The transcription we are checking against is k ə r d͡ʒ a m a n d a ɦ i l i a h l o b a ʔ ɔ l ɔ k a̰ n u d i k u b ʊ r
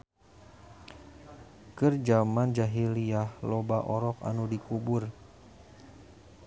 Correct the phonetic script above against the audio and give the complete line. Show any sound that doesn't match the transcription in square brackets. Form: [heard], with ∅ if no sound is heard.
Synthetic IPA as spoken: k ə r d͡ʒ a m a n [d͡ʒ] a ɦ i l i a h l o b a ʔ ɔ [ɾ] ɔ k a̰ n u d i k u b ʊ r